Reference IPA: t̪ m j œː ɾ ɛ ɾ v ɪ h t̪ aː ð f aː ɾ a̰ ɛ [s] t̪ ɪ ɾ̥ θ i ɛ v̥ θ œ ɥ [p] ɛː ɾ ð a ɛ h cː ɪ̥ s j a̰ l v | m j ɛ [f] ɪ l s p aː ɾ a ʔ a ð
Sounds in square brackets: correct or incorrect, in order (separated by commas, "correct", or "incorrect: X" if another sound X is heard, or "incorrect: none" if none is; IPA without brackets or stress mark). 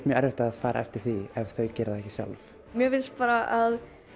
incorrect: f, incorrect: c, incorrect: v